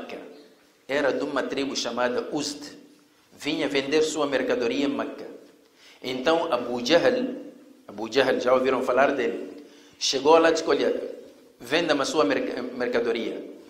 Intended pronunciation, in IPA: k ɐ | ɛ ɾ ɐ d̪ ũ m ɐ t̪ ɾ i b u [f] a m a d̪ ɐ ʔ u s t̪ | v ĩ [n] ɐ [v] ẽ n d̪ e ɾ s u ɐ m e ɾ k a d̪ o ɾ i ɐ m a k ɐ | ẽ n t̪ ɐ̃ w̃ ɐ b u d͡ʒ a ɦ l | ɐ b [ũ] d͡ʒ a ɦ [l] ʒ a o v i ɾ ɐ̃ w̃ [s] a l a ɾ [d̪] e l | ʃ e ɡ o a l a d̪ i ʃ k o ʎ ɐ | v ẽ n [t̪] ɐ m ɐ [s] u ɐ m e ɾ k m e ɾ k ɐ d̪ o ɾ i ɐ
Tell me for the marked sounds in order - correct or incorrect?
incorrect, incorrect, correct, incorrect, correct, incorrect, correct, incorrect, correct

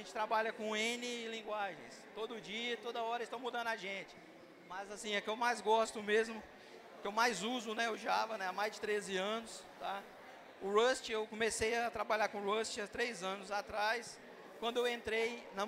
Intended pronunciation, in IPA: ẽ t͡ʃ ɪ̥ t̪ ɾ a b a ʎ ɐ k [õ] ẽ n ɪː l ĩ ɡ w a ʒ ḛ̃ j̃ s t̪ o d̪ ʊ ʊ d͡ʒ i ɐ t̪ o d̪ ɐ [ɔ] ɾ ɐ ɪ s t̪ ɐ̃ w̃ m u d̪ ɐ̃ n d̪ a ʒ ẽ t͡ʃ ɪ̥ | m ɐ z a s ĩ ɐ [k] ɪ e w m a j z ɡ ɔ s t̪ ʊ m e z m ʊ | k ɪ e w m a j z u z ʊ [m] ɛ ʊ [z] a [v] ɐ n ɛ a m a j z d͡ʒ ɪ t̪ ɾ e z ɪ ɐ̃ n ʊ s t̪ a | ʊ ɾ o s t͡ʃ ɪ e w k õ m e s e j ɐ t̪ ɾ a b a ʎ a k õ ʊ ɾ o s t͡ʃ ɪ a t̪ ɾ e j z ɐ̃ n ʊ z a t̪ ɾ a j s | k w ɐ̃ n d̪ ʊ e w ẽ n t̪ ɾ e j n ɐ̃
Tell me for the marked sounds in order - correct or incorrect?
correct, correct, correct, incorrect, incorrect, correct

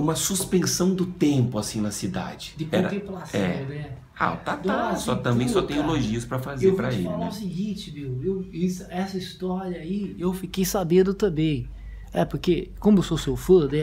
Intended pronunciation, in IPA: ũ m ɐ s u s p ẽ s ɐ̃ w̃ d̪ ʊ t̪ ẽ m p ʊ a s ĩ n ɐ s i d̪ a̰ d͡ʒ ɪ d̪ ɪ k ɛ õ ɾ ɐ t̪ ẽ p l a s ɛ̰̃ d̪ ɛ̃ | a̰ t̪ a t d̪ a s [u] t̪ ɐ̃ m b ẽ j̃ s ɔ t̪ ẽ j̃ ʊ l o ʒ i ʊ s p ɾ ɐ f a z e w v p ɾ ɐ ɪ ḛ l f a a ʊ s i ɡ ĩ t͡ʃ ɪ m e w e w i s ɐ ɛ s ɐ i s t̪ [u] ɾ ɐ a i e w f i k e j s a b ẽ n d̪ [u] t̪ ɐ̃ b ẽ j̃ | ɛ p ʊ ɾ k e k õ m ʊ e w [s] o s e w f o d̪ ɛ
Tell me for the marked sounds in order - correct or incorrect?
incorrect, incorrect, incorrect, correct

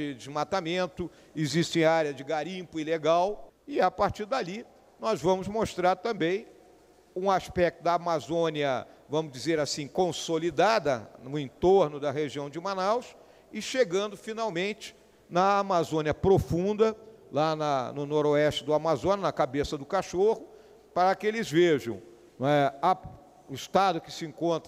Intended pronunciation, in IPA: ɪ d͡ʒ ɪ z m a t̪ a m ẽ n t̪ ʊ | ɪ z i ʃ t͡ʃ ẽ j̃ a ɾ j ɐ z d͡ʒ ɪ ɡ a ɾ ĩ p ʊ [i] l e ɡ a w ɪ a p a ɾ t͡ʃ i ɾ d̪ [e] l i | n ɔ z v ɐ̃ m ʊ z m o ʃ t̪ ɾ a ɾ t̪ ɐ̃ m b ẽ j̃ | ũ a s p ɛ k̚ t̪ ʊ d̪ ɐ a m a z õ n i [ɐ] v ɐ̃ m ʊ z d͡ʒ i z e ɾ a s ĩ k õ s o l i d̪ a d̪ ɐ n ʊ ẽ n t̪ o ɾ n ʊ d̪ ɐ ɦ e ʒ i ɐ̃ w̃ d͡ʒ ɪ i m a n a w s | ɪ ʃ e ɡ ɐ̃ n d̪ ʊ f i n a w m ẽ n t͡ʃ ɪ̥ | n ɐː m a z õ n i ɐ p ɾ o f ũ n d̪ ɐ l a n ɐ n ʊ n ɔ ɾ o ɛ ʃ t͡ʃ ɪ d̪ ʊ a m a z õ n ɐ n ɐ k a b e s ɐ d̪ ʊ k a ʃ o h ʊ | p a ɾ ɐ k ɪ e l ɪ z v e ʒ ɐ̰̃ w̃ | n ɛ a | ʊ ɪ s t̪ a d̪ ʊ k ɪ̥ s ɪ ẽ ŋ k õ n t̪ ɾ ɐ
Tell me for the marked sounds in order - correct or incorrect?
correct, incorrect, correct

